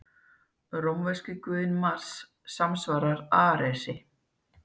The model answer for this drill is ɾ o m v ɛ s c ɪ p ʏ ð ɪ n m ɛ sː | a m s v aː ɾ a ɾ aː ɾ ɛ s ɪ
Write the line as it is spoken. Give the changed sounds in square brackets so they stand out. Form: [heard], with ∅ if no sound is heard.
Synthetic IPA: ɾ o m v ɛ s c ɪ [k] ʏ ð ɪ n m [a] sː | a m s v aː ɾ a ɾ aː ɾ ɛ s ɪ

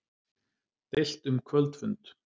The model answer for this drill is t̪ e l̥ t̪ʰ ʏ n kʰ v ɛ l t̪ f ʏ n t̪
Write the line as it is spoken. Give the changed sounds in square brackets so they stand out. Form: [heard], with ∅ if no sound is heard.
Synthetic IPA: t̪ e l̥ [t̪] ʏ [m] kʰ v [œ] l t̪ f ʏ n t̪

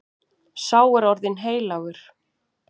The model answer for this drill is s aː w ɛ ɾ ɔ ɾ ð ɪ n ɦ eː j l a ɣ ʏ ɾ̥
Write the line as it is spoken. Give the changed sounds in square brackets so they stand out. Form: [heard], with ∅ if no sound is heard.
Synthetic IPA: s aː w ɛ ɾ ɔ ɾ ð ɪ n ɦ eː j l a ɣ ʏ ɾ̥

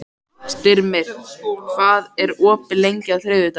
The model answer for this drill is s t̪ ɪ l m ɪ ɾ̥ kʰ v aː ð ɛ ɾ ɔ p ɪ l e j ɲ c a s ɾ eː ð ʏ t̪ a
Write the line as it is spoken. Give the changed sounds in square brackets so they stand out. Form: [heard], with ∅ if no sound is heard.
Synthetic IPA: s t̪ ɪ [ɾ] m ɪ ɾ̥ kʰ v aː ð ɛ ɾ [ɔː] p ɪ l e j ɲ c a [θ] ɾ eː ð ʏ t̪ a

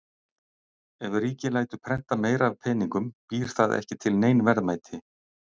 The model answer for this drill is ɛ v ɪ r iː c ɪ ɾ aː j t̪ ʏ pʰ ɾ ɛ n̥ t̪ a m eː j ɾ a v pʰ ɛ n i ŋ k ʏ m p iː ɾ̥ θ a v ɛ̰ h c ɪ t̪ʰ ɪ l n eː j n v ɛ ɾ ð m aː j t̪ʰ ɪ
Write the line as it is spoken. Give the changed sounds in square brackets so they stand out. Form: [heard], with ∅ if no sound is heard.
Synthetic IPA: ɛ v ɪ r iː c ɪ [l] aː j t̪ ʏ pʰ ɾ ɛ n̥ t̪ a m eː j ɾ a v pʰ ɛ n i ŋ k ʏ m p iː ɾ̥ θ a [ð] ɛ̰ h c ɪ t̪ʰ ɪ l n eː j n v ɛ ɾ ð m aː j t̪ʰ ɪ

